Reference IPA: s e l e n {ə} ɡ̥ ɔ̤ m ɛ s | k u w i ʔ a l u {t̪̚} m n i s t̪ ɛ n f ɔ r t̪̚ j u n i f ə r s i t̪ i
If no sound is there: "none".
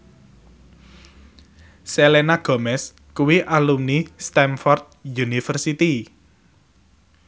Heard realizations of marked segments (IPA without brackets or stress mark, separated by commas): a, none